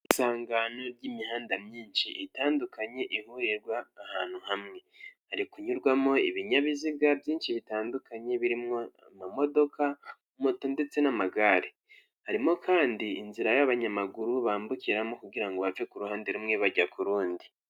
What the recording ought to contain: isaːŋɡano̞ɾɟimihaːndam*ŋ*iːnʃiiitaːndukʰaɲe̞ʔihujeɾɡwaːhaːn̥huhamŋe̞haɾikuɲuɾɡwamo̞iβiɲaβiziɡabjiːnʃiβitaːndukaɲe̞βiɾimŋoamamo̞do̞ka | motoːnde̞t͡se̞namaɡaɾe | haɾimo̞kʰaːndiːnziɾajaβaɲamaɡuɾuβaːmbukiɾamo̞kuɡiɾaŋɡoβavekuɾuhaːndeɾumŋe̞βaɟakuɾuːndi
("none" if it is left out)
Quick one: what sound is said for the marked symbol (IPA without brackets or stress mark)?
ɲ